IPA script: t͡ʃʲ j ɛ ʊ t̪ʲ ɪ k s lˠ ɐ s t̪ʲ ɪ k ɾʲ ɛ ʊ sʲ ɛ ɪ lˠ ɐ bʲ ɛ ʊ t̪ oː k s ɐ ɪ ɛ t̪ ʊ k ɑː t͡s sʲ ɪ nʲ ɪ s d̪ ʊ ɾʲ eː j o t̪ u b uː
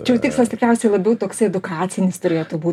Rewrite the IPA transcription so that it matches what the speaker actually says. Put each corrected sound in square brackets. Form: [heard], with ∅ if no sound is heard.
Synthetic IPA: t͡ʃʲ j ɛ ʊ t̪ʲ ɪ k s lˠ ɐ s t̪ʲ ɪ k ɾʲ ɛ ʊ sʲ ɛ ɪ lˠ ɐ bʲ ɛ ʊ t̪ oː k s ɐ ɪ ɛ [d̪] ʊ k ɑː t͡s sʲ ɪ nʲ ɪ s [t̪] ʊ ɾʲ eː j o t̪ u b uː